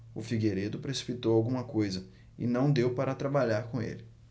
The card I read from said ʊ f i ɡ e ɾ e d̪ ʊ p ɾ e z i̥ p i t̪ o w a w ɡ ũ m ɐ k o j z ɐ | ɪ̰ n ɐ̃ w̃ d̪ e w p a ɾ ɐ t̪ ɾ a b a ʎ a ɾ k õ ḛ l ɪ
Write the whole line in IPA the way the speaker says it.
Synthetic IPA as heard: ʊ f i ɡ e ɾ e d̪ ʊ p ɾ e s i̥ p i t̪ o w a w ɡ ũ m ɐ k o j z ɐ | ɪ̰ n ɐ̃ w̃ d̪ e w p a ɾ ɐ t̪ ɾ a b a ʎ a ɾ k õ ḛ l ɪ